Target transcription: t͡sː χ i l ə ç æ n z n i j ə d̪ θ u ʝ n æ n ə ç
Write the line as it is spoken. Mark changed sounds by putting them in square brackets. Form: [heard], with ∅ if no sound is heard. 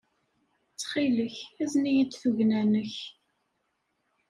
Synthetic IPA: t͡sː χ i l ə ç æ [∅] z n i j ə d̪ θ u ʝ n æ n ə ç